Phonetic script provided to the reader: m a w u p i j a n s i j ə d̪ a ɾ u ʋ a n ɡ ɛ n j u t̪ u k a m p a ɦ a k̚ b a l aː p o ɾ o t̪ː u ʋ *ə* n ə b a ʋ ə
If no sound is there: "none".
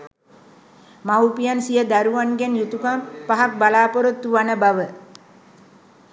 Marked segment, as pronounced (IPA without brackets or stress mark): a